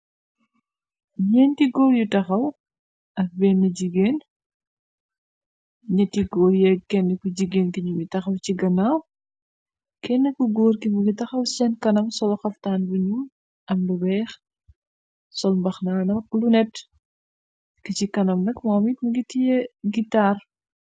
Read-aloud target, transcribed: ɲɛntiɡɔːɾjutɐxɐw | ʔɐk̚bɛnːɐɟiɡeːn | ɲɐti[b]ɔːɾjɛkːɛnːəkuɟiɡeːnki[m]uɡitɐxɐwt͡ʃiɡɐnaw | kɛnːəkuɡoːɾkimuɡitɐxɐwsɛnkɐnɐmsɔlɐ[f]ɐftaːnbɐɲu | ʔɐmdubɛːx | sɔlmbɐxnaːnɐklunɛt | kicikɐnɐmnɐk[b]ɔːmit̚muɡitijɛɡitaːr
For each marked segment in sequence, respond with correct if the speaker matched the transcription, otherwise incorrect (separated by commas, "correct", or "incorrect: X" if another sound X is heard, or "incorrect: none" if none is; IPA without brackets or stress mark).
incorrect: ɡ, incorrect: ɲ, incorrect: x, incorrect: m